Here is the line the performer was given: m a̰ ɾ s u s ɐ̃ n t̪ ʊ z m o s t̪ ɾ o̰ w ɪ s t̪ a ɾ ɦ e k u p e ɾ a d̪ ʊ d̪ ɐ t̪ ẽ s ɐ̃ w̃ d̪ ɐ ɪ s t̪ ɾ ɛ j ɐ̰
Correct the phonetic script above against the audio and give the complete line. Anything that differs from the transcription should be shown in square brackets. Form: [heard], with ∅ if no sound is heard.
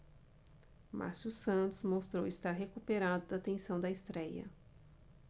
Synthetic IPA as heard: m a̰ ɾ s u s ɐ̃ n t̪ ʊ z m o s t̪ ɾ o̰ w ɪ s t̪ a ɾ ɦ e k u p e ɾ a d̪ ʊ d̪ ɐ t̪ ẽ s ɐ̃ w̃ d̪ ɐ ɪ s t̪ ɾ ɛ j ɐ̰